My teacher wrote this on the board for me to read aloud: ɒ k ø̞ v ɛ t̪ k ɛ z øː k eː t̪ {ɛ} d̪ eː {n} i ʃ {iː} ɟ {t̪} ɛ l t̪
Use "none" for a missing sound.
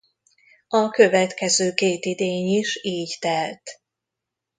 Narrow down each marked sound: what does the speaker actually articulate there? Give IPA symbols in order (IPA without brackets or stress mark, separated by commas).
i, ɲ, iː, t̪